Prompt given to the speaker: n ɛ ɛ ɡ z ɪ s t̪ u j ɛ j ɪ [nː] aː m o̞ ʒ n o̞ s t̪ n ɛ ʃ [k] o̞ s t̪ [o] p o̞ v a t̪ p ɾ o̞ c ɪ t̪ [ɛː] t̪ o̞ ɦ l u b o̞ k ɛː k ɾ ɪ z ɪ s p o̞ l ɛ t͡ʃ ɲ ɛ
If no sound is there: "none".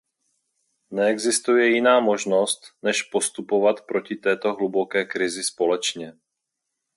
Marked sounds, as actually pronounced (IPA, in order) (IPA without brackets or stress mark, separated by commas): n, p, u, ɛː